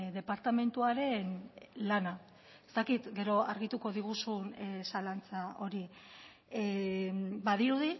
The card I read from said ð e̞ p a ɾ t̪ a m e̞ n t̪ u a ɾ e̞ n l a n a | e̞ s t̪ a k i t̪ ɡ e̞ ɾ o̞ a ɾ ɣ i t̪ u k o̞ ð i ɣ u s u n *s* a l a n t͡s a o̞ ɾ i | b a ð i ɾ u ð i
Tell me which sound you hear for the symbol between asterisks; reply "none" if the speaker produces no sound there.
s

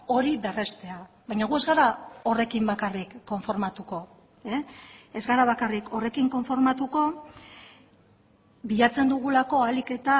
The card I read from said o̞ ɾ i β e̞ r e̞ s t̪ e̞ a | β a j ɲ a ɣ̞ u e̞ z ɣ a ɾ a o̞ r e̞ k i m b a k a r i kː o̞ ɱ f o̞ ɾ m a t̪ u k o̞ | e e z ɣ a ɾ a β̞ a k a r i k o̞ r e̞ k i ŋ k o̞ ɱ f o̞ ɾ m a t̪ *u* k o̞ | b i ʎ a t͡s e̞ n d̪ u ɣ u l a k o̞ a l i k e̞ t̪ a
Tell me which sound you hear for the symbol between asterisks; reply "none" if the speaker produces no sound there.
u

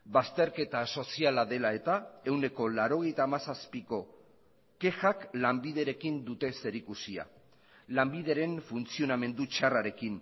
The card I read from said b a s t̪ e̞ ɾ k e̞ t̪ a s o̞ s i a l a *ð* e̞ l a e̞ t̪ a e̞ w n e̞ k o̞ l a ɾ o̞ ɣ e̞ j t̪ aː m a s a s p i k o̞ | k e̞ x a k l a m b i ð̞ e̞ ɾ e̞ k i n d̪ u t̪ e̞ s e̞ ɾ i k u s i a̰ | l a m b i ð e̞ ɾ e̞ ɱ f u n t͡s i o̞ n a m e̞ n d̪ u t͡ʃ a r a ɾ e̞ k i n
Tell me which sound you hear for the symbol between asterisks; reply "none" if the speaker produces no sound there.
ð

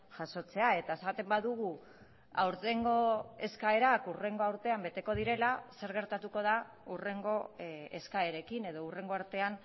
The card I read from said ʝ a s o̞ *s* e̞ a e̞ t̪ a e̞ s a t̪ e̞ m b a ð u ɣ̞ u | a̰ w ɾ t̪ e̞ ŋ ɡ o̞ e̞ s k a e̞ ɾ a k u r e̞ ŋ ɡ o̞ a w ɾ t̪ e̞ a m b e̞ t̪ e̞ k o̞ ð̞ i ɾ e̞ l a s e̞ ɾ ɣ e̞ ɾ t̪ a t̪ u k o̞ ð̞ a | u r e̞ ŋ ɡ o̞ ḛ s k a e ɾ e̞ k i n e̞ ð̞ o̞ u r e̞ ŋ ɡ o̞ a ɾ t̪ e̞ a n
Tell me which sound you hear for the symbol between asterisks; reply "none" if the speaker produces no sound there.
t͡s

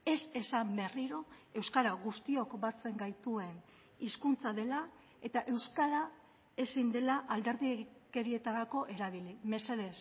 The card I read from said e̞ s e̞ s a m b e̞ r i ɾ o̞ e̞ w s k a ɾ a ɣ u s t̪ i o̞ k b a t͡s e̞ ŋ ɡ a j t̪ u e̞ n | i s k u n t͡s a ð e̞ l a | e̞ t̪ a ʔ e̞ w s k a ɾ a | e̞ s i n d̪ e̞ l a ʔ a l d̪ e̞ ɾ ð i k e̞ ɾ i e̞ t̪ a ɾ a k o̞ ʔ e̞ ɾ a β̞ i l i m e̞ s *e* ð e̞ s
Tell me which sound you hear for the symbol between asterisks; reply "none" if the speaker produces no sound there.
e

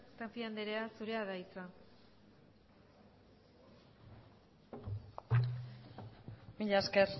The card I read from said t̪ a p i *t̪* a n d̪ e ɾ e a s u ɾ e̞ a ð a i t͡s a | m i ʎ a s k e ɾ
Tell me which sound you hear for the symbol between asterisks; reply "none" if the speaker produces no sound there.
none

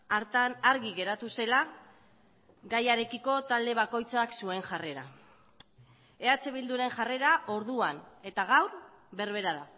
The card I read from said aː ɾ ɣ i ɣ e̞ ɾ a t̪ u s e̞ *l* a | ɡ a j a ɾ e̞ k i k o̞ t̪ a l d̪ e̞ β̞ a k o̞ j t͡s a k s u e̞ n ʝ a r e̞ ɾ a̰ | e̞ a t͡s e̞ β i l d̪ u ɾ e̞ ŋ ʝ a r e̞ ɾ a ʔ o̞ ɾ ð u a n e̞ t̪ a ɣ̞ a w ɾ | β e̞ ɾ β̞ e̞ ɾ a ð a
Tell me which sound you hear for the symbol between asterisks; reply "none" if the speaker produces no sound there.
l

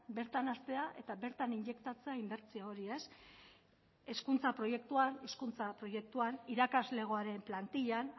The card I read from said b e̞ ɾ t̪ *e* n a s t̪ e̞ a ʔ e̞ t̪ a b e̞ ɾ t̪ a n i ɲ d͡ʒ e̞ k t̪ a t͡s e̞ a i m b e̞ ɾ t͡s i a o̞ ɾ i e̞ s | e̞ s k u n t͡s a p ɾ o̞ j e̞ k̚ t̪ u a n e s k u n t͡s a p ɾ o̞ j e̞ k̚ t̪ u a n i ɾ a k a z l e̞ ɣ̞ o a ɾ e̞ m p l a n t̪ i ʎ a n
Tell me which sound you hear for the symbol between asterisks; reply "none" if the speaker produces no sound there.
a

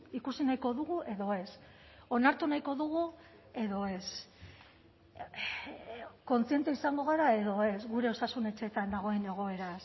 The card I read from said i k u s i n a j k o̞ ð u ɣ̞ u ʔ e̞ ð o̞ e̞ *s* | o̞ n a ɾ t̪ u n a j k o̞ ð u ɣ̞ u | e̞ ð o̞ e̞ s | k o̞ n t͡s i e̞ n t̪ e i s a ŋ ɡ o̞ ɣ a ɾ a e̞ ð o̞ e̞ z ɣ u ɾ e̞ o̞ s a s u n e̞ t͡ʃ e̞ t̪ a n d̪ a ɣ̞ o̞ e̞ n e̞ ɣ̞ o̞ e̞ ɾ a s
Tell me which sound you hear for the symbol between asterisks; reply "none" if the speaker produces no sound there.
s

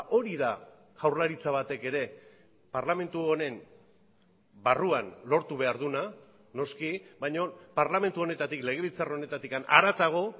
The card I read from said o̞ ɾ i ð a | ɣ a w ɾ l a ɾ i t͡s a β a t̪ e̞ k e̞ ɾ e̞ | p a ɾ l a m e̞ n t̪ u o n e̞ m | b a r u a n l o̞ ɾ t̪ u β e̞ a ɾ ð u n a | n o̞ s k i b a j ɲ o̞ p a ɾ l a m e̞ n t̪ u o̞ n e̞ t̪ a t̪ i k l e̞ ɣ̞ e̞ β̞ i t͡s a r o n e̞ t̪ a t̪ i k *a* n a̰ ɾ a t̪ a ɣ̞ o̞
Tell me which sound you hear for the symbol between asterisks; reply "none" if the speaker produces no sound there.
a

